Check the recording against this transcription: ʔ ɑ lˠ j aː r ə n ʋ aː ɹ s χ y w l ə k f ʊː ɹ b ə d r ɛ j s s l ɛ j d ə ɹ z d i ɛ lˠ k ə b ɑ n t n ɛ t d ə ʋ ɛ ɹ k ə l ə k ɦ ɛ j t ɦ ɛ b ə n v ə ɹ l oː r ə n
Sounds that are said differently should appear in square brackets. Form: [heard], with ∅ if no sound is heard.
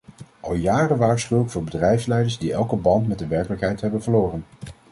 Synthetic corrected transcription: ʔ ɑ lˠ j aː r ə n ʋ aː ɹ s χ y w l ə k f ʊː ɹ b ə d r ɛ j [f] s l ɛ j d ə ɹ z d i ɛ lˠ k ə b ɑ n t [m] ɛ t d ə ʋ ɛ ɹ k ə l ə k ɦ ɛ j t ɦ ɛ b ə n v ə ɹ l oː r ə n